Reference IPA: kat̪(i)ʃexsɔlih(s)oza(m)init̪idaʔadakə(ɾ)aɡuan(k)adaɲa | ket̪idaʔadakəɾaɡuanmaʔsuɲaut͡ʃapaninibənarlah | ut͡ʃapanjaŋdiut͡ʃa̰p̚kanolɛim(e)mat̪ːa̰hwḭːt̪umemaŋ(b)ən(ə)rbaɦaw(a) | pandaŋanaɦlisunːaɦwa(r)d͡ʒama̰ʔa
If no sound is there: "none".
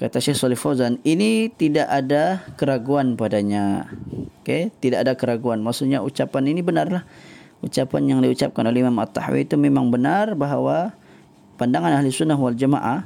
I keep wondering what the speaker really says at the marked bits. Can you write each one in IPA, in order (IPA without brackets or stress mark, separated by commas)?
a, f, n, ɾ, p, a, b, a, a, l